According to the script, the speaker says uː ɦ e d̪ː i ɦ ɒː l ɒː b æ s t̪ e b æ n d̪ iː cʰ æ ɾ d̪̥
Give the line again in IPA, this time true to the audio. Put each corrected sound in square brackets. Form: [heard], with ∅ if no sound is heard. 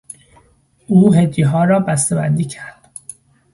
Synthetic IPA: uː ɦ e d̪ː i ɦ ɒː [ɾ] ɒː b æ s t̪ e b æ n d̪ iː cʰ æ ɾ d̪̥